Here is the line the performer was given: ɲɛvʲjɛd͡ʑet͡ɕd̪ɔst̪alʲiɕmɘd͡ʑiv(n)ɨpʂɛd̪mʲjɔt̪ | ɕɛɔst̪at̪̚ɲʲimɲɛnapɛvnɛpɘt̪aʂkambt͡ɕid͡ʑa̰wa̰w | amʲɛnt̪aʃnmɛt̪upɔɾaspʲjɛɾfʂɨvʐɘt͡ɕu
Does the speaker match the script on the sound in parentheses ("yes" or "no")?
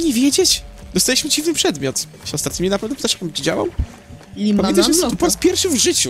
yes